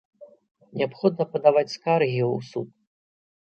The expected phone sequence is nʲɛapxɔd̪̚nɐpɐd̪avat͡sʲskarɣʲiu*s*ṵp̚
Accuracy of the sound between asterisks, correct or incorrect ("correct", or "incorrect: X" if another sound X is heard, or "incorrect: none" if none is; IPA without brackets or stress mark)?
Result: correct